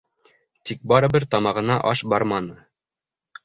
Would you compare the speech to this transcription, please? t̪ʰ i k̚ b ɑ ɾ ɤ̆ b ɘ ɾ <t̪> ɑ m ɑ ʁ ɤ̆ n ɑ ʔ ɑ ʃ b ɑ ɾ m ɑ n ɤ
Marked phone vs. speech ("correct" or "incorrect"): correct